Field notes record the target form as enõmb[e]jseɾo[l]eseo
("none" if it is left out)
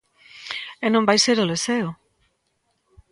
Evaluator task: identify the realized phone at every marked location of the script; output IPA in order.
a, l

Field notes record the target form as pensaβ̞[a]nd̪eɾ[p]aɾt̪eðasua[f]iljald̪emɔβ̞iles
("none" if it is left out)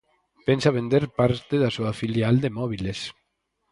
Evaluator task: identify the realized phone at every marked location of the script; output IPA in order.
e, p, f

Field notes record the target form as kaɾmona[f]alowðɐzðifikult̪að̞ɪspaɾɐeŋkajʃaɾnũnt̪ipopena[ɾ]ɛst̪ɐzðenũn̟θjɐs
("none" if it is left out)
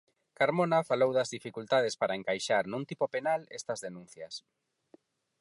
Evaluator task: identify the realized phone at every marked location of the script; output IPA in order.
f, l

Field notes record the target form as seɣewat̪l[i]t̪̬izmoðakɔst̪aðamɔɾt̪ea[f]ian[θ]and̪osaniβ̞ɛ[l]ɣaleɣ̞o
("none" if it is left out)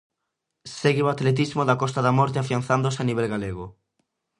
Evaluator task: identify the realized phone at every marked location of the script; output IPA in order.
e, f, θ, l

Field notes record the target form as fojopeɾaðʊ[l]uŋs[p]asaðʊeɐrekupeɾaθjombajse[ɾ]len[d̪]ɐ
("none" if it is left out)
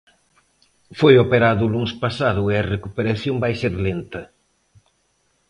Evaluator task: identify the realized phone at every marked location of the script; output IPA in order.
l, p, ɾ, t̪

